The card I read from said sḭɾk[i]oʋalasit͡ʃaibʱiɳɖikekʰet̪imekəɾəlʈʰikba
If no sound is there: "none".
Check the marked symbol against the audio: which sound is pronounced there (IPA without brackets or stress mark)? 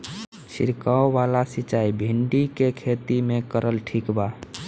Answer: a